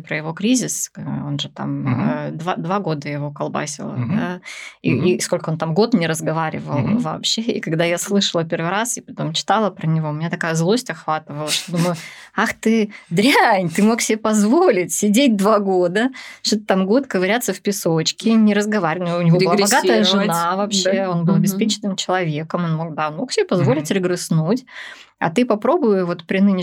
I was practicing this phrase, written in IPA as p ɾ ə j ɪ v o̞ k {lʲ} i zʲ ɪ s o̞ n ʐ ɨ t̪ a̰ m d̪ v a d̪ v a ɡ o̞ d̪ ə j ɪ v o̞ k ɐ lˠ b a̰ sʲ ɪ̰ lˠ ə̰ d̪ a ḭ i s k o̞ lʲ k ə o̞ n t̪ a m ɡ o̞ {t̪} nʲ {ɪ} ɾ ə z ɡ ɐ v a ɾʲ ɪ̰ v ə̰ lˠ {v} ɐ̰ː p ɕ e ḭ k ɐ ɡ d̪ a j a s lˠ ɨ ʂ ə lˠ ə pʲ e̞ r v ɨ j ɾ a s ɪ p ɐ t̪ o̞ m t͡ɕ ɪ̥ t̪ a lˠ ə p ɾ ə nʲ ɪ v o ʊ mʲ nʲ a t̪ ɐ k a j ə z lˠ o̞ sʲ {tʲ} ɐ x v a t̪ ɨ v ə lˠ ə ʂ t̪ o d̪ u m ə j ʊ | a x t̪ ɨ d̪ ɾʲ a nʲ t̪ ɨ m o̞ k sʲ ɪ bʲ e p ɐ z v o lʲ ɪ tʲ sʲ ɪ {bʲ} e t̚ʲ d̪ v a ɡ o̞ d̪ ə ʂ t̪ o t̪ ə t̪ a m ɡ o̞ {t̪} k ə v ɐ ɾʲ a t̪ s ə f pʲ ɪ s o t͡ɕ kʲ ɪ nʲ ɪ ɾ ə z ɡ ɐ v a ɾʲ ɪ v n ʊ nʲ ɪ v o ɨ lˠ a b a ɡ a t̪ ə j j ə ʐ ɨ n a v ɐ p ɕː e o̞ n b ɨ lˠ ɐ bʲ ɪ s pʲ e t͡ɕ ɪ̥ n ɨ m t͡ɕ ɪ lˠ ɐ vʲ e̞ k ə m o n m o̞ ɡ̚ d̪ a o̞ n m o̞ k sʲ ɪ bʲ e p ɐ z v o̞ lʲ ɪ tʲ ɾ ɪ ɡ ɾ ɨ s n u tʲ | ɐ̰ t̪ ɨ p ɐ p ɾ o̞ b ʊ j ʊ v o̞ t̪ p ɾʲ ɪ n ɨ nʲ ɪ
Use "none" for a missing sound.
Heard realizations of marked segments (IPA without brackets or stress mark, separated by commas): ɾʲ, t̪, ɪ, v, tʲ, dʲ, t̪